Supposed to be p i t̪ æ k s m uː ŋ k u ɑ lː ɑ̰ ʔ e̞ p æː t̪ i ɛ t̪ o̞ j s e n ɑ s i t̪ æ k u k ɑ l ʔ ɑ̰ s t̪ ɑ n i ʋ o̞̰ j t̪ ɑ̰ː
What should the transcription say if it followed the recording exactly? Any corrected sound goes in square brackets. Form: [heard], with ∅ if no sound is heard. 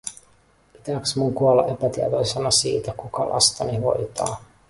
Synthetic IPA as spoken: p i t̪ æ k s m [u] ŋ k u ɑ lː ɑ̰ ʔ e̞ p [æ] t̪ i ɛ t̪ o̞ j s e n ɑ s [iː] t̪ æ k u k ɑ l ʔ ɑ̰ s t̪ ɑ n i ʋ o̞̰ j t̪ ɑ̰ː